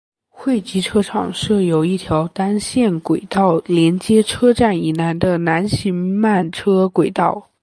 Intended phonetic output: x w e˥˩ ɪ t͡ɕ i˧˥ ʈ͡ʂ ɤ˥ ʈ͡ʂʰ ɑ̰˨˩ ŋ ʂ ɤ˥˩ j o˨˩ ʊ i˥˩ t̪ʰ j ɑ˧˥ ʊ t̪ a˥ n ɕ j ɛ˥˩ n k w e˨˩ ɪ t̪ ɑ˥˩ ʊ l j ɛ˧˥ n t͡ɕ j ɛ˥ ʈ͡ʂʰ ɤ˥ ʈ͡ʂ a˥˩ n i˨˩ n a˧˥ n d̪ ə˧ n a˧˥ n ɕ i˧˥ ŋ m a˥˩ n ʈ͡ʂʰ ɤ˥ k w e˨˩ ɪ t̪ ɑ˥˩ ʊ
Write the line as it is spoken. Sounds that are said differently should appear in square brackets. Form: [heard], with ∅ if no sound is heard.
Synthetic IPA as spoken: x w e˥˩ ɪ t͡ɕ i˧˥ [ʈ͡ʂʰ] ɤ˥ ʈ͡ʂʰ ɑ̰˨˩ ŋ ʂ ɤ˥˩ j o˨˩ ʊ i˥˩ t̪ʰ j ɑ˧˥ ʊ t̪ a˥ n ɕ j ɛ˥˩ n k w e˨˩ ɪ t̪ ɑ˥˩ ʊ l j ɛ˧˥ n t͡ɕ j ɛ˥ ʈ͡ʂʰ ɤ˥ ʈ͡ʂ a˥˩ n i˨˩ n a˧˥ n d̪ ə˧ n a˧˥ n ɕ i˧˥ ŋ m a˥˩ n ʈ͡ʂʰ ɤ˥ k w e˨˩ ɪ t̪ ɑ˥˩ ʊ